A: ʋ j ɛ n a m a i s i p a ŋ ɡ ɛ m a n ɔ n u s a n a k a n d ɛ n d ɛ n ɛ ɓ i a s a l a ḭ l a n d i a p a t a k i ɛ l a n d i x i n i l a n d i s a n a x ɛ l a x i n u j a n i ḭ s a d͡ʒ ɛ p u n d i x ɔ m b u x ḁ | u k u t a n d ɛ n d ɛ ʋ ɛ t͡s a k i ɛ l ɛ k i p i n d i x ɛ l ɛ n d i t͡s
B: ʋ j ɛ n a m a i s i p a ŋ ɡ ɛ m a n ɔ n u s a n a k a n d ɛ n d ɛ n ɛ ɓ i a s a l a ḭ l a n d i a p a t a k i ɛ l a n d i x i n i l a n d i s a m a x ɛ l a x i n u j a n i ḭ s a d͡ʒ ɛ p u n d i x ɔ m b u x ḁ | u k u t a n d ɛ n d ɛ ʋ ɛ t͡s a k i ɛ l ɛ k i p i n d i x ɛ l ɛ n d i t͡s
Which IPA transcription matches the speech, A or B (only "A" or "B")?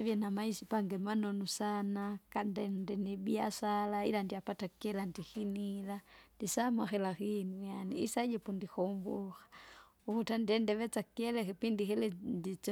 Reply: B